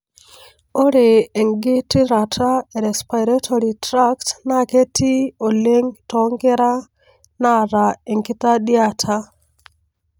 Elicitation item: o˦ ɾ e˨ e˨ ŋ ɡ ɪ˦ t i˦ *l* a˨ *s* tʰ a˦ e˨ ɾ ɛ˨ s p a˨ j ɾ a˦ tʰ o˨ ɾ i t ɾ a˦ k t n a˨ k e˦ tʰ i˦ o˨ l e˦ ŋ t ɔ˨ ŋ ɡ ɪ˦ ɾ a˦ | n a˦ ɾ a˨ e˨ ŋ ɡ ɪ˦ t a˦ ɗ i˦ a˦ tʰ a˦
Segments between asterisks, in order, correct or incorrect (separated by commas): incorrect, incorrect